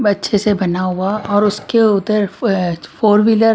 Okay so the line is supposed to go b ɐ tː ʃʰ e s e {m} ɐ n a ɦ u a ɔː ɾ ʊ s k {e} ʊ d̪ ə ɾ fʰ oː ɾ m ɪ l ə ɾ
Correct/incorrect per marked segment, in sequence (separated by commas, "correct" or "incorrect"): incorrect, correct